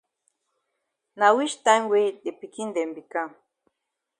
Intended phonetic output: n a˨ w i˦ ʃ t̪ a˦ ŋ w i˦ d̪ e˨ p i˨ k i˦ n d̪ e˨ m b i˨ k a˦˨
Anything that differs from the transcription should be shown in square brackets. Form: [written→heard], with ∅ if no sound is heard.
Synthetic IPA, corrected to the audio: n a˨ w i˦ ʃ t̪ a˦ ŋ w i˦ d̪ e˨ p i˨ k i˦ n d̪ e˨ m b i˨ k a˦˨